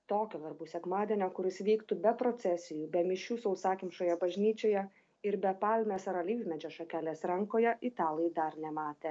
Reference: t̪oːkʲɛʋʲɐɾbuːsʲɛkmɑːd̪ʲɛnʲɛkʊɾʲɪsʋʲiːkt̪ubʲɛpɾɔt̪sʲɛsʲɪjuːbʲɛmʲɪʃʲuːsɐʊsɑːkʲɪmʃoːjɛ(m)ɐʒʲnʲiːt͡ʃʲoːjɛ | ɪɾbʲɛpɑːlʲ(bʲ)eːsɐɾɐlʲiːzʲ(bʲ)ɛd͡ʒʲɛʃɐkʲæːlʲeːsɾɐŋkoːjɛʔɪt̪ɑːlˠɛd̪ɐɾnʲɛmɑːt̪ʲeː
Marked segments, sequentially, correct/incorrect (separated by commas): incorrect, incorrect, incorrect